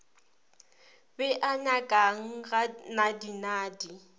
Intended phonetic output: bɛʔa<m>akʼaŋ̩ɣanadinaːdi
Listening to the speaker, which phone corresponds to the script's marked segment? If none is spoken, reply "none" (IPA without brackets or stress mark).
ɲ